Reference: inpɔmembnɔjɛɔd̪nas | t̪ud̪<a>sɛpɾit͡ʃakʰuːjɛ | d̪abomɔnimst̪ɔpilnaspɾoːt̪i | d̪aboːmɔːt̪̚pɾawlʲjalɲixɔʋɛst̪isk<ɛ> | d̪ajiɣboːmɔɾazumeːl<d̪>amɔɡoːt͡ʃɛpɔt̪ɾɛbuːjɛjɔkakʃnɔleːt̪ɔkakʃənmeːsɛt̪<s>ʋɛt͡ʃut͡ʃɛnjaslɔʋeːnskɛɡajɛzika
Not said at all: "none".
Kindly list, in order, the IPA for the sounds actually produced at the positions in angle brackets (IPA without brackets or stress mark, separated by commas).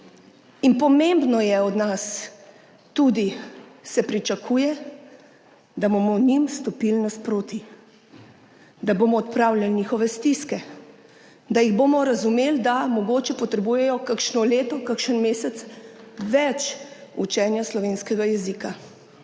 i, ɛ, d̪, s